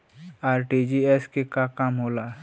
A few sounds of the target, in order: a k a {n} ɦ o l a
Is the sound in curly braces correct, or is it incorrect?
incorrect